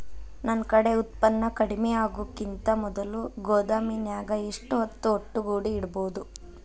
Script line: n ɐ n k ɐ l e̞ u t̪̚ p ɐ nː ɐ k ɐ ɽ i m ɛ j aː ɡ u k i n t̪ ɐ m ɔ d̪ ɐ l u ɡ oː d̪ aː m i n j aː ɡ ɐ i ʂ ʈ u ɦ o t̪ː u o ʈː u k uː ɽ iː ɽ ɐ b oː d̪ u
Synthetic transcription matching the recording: n ɐ n k ɐ ɽ e̞ u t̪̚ p ɐ nː ɐ k ɐ ɽ i m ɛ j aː ɡ u k i n t̪ ɐ m ɔ d̪ ɐ l u ɡ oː d̪ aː m i n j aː ɡ ɐ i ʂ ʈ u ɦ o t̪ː u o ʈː u ɡ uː ɽ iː ɽ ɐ b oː d̪ u